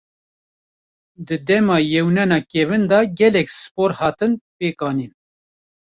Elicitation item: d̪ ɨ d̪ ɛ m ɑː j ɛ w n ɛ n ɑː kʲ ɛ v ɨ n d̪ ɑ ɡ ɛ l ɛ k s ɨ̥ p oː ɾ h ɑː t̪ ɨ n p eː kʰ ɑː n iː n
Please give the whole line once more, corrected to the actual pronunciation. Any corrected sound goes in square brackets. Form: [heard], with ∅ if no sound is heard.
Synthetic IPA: d̪ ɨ d̪ ɛ m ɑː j ɛ w n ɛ n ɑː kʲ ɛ v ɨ n d̪ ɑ ɡ ɛ l ɛ k s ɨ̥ p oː ɾ h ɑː t̪ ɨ n p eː [k] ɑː n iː n

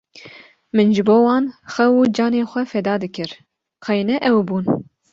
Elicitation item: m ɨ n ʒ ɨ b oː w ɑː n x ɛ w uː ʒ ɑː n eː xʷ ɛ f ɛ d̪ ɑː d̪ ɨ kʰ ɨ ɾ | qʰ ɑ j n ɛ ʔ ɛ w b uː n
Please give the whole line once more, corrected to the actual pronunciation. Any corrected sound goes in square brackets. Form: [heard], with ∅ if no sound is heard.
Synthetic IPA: m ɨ n ʒ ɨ b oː w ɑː n x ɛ w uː [d͡ʒ] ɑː n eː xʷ ɛ f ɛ d̪ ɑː d̪ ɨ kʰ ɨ ɾ | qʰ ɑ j n ɛ ʔ ɛ w b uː n

